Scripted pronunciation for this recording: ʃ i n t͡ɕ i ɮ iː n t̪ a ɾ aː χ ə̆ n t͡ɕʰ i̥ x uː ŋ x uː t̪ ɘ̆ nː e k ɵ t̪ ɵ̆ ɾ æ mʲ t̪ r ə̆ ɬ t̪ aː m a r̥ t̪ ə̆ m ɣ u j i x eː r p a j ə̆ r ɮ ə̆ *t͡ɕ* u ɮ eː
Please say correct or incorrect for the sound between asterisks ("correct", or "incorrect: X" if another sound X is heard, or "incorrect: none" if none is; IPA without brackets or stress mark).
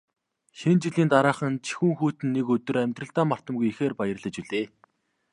correct